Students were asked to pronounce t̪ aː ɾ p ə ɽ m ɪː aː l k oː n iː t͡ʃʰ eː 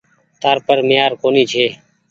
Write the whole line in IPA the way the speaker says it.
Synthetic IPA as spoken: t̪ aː ɾ p ə ɾ m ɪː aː ɾ k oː n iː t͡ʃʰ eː